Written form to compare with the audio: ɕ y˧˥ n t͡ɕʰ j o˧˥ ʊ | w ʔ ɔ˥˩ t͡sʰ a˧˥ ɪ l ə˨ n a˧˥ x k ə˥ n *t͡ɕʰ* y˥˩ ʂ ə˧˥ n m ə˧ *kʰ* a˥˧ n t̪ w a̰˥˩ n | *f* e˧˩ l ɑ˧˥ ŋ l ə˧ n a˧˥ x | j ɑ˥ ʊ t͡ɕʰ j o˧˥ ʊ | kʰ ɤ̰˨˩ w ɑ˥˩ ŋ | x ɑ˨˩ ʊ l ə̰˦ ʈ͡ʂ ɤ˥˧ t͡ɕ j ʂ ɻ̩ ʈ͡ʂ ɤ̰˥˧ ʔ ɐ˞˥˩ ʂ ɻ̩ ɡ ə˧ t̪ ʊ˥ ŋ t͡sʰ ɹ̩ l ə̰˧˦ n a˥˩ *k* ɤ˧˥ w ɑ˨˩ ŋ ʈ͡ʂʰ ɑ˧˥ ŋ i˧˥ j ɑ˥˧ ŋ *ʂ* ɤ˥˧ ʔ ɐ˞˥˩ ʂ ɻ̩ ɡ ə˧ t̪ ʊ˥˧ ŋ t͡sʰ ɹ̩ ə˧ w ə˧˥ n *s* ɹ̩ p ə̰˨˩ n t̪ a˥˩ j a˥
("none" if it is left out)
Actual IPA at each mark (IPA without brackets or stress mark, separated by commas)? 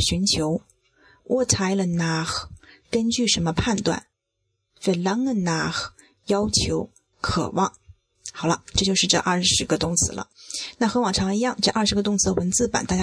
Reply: t͡ɕ, pʰ, f, x, ʈ͡ʂ, t͡s